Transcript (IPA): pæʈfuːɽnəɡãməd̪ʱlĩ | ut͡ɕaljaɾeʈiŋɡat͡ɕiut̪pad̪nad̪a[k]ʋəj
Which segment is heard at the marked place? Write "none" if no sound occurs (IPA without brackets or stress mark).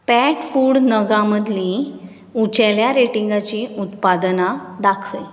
kʰ